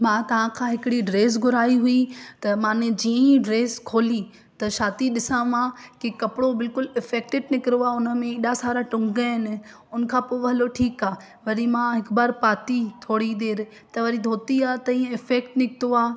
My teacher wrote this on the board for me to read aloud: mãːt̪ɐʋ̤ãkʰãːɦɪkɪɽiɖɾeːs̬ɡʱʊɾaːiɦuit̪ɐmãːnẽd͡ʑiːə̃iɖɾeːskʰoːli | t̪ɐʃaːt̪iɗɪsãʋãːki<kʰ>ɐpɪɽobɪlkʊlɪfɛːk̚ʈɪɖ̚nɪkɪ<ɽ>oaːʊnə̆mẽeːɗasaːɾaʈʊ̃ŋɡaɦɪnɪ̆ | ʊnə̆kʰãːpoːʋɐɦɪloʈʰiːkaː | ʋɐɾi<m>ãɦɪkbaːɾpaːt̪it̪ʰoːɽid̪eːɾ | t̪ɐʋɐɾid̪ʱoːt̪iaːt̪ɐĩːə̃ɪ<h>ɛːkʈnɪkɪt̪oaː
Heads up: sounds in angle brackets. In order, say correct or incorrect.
incorrect, incorrect, correct, incorrect

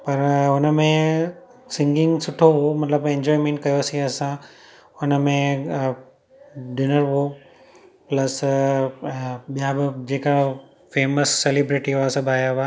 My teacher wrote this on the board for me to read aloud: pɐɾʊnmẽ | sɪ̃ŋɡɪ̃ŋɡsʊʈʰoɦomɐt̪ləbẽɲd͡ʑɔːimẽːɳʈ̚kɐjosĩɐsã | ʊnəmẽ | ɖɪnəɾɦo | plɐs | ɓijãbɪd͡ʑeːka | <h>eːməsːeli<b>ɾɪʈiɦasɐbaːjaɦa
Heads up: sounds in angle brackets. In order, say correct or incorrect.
incorrect, correct

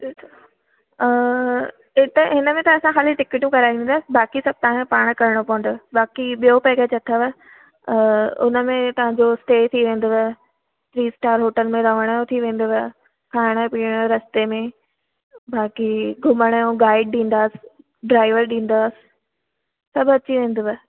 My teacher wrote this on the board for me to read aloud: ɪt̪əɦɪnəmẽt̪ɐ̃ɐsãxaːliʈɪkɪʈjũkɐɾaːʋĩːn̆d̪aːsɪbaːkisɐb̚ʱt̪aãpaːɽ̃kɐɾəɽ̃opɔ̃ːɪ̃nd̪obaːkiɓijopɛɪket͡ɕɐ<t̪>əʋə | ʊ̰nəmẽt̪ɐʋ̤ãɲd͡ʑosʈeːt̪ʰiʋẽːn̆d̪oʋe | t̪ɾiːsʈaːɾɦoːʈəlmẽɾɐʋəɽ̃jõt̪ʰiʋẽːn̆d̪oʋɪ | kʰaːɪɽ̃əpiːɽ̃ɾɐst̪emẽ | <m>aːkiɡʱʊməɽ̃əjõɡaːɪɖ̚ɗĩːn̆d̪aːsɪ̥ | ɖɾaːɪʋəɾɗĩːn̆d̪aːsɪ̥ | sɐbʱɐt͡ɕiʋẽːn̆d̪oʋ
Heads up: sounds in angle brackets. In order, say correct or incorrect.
incorrect, incorrect

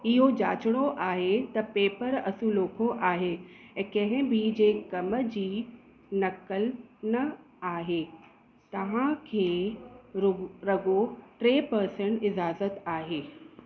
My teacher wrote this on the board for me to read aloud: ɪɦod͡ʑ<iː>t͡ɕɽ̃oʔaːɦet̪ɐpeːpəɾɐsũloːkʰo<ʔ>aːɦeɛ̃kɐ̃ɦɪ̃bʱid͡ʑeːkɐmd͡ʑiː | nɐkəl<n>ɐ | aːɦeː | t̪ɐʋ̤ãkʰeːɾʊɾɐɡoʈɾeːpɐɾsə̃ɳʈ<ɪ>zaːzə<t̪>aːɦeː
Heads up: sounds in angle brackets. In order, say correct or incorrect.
incorrect, correct, correct, correct, correct

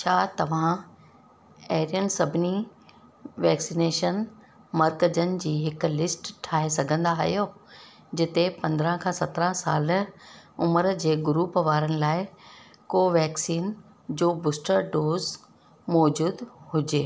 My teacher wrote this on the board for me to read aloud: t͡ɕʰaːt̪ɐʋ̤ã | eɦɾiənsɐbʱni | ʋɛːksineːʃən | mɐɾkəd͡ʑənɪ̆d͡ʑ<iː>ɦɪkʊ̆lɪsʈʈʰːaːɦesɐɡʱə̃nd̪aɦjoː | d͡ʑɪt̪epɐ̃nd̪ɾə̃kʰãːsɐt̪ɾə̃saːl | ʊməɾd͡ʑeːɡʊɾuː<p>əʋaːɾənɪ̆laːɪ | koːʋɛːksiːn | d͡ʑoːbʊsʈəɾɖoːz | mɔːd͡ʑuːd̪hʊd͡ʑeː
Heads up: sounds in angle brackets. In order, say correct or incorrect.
correct, correct

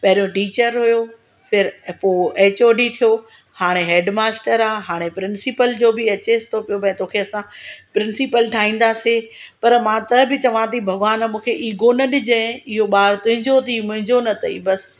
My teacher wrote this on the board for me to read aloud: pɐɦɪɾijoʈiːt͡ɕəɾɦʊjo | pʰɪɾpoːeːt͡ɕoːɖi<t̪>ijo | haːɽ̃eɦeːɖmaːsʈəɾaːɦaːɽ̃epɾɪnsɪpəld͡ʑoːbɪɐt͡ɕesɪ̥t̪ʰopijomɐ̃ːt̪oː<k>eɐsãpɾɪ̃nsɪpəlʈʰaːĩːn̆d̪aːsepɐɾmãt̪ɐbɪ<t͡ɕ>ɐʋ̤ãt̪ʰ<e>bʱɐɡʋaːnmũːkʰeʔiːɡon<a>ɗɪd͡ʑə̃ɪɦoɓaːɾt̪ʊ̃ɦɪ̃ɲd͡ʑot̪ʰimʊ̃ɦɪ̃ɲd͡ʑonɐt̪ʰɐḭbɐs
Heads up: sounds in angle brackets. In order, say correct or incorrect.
incorrect, incorrect, correct, incorrect, incorrect

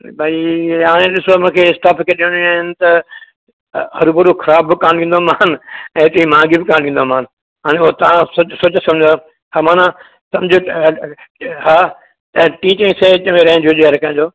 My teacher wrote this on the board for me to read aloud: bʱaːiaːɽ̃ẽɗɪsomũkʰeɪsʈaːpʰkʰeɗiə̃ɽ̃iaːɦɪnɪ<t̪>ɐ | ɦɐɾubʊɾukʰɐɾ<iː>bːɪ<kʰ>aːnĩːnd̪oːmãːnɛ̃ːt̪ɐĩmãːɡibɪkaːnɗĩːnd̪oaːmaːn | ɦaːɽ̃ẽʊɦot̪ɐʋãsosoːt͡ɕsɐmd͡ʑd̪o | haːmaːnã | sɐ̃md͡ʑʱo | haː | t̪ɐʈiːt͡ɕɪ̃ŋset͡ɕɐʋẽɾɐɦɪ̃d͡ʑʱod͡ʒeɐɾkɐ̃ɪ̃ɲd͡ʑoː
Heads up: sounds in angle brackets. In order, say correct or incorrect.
correct, incorrect, incorrect

